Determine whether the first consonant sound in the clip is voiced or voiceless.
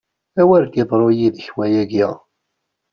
voiced